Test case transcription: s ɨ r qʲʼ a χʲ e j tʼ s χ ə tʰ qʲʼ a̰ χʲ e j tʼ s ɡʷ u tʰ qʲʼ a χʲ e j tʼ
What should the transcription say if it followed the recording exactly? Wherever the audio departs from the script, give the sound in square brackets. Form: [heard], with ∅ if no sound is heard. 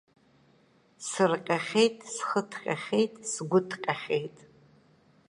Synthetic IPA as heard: s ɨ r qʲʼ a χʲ e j tʼ s χ ə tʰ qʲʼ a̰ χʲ e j tʼ s ɡʷ [ʊ] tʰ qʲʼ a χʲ e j tʼ